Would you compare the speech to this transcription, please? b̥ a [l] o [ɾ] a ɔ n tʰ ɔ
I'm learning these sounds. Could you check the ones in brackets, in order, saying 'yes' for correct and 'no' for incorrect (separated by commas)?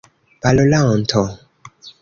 yes, no